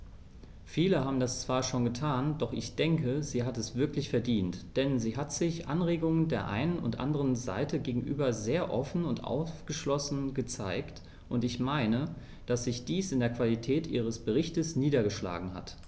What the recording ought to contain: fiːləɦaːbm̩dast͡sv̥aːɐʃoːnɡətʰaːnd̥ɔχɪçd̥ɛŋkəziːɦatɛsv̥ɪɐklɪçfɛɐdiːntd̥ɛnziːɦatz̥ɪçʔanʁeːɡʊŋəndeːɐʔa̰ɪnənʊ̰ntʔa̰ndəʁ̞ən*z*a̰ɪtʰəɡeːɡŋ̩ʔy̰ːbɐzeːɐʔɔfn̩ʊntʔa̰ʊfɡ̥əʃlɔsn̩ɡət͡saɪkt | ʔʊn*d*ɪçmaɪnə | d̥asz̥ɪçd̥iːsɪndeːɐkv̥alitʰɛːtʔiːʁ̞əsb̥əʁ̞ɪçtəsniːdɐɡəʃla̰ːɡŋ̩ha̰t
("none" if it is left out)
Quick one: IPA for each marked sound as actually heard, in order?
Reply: z, t

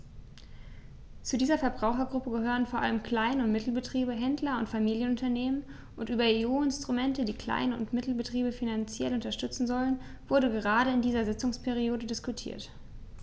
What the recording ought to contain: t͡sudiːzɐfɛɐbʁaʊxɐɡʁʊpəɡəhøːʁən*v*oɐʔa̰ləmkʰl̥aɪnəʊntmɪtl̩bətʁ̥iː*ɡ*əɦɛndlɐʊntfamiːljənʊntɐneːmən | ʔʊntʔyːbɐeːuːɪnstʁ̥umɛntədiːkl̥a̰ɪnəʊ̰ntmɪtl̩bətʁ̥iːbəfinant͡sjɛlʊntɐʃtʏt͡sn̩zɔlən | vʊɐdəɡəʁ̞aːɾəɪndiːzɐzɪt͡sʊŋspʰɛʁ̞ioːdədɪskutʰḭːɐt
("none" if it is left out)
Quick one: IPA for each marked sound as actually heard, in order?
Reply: f, b

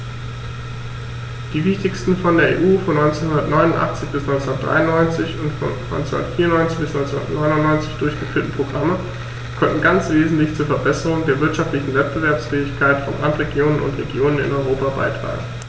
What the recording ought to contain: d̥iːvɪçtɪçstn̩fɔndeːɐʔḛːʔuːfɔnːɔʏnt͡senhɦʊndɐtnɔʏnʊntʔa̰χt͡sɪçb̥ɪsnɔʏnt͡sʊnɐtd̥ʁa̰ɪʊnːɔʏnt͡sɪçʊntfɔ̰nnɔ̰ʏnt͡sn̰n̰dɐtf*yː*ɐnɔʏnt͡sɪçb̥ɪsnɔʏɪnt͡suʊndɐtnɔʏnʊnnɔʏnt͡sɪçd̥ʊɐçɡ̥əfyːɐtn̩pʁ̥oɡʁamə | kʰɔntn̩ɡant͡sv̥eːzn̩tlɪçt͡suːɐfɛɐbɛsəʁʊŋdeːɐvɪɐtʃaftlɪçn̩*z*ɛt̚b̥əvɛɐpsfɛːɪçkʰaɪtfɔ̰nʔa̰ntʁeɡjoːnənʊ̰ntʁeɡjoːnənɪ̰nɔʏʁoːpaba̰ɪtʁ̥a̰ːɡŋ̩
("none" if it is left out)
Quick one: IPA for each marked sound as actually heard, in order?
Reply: iː, v

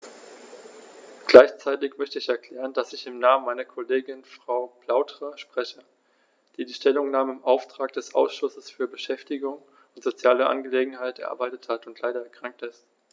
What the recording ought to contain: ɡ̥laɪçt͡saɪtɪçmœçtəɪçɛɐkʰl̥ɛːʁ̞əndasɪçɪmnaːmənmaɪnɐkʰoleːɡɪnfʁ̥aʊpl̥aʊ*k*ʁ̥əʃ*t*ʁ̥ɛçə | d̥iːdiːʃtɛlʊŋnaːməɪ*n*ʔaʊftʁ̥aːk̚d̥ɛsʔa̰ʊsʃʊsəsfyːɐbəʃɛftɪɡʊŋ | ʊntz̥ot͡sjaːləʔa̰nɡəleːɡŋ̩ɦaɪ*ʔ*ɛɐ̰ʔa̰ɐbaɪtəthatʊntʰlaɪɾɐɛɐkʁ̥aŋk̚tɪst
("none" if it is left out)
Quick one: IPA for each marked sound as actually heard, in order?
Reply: t, p, m, t

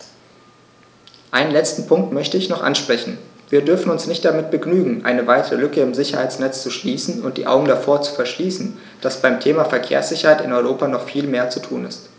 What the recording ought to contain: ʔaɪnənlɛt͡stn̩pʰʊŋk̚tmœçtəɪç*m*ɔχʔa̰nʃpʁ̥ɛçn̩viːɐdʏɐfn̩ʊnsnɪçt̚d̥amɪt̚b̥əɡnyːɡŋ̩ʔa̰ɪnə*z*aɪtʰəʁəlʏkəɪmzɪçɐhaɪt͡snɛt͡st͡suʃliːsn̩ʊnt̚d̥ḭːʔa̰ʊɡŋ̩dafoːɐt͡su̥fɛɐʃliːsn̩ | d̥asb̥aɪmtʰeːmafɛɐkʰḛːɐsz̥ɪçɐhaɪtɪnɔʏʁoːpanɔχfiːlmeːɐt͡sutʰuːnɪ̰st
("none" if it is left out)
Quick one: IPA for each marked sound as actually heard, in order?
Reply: n, v

